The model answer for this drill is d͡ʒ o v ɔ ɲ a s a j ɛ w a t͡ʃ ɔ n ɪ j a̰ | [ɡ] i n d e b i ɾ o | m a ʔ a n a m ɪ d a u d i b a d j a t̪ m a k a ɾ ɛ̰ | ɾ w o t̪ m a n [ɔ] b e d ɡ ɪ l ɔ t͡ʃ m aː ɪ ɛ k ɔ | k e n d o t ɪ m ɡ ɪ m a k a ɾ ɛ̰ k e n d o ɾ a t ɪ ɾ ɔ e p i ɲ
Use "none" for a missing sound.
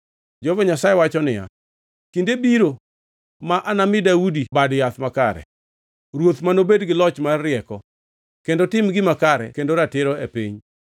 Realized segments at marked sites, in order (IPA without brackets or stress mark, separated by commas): k, o